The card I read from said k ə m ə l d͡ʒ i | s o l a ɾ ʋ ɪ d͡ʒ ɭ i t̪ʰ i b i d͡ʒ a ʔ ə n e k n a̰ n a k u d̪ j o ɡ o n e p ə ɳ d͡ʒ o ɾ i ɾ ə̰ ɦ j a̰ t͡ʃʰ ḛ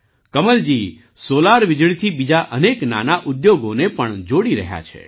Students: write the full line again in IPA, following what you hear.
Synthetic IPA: k ə m ə l d͡ʒ i | s o l a ɾ ʋ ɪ d͡ʒ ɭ i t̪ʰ i b i d͡ʒ a ʔ ə n e k n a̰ n a ʔ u d̪ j o ɡ o n e p ə ɳ d͡ʒ o ɽ i ɾ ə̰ ɦ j a̰ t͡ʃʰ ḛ

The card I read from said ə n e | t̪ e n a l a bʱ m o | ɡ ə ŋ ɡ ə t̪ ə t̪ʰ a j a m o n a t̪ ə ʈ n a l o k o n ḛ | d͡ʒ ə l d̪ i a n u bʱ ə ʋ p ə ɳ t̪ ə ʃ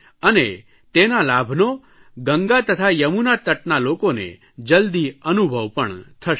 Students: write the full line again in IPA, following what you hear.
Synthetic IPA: ə n e | t̪ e n a l a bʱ n o | ɡ ə ŋ ɡ a t̪ ə t̪ʰ a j ə m u n a t̪ ə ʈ n a l o k o n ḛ | d͡ʒ ə l d̪ i ə n u bʱ ə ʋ p ə ɳ t̪ʰ ə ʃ

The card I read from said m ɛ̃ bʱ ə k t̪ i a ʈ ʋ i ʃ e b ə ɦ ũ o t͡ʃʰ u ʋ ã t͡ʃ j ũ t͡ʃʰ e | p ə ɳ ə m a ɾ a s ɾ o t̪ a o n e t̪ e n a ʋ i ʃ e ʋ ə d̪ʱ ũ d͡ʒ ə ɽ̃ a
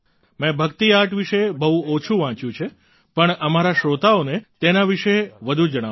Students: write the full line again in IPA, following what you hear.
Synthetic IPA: m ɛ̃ bʱ ə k t̪ i a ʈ ʋ i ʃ e b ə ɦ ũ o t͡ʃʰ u ʋ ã t͡ʃ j ũ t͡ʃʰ e | p ə ɳ ə m a ɾ a ʃ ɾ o t̪ a o n e t̪ e n a ʋ i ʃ e ʋ ə d̪ʱ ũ d͡ʒ ə ɽ̃ a

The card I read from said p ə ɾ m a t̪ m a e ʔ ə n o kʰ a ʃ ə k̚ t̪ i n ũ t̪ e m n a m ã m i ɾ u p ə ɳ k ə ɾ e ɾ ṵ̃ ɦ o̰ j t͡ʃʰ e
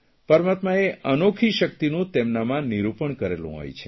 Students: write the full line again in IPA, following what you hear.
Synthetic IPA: p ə ɾ m a t̪ m a e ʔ ə n o kʰ i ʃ ə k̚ t̪ i n ũ t̪ e m n a m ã n i ɾ u p ə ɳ k ə ɾ e l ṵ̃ ɦ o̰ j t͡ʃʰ e

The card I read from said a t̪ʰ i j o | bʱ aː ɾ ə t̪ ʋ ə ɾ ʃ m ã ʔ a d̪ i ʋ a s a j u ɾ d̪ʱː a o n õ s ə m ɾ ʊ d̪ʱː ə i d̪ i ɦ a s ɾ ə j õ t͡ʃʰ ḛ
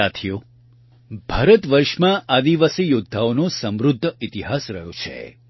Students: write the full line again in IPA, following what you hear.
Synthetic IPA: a t̪ʰ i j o | bʱ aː ɾ ə t̪ ʋ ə ɾ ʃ m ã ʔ a d̪ i ʋ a s i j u d̪ʱː a o n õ s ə m ɾ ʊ d̪ʱː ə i t̪ i ɦ a s ɾ ə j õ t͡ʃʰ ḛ

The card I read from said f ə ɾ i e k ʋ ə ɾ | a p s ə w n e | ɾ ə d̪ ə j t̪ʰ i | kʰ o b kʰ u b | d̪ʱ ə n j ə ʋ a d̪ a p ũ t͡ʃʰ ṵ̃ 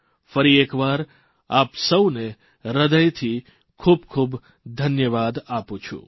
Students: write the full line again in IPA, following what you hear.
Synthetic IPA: f ə ɾ i e k ʋ a ɾ | a p s ə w n e | ɾ ə d̪ ə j t̪ʰ i | kʰ u b kʰ u b | d̪ʱ ə n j ə ʋ a d̪ a p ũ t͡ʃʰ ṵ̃

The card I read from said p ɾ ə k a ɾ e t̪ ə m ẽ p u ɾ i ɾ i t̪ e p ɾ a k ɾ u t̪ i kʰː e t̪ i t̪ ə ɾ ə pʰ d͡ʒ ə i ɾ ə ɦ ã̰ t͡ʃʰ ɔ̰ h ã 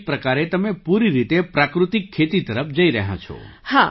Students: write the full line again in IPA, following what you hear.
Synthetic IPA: p ɾ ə k a ɾ e t̪ ə m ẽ p u ɾ i ɾ i t̪ e p ɾ a k ɾ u t̪ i kʰː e t̪ i t̪ ə ɾ ə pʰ d͡ʒ ə i ɾ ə ɦ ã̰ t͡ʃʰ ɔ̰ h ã

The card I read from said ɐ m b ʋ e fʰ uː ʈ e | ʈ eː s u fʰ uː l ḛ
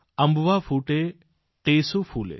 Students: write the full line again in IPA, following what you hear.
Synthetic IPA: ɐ m b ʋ a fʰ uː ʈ e | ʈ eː s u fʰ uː l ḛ

